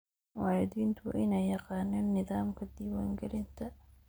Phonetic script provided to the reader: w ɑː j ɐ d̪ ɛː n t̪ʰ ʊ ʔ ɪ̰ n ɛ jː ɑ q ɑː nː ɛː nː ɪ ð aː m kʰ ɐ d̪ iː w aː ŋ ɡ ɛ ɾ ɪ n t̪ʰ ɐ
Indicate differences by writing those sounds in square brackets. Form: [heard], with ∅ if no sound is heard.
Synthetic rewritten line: w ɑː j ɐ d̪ [iː] n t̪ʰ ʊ ʔ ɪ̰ n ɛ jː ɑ q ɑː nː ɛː nː ɪ ð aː m kʰ ɐ d̪ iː w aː ŋ ɡ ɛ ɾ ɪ n t̪ʰ ɐ